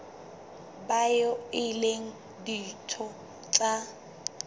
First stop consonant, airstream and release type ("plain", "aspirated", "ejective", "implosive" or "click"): plain